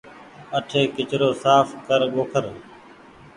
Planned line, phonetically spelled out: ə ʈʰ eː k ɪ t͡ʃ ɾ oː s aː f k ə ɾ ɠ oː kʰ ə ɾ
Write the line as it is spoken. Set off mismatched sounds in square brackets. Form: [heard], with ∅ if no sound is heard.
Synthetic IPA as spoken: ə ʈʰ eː k ɪ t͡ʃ ɾ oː s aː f k ə ɾ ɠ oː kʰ ə ɾ